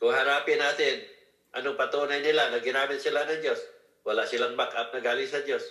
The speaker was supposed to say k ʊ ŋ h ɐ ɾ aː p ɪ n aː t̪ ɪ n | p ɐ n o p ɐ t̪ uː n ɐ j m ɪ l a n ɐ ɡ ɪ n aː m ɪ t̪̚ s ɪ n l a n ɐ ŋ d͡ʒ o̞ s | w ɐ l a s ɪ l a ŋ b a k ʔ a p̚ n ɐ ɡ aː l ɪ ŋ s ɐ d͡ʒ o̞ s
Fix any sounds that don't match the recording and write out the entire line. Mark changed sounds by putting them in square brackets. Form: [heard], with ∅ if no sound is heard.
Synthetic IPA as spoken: k ʊ ŋ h ɐ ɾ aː p ɪ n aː t̪ ɪ n | [ʔ] ɐ n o p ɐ t̪ uː n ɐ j [n] ɪ l a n ɐ ɡ ɪ n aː m ɪ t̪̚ s ɪ [∅] l a n ɐ ŋ d͡ʒ o̞ s | w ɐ l a s ɪ l a ŋ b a k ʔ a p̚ n ɐ ɡ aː l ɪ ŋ s ɐ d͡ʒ o̞ s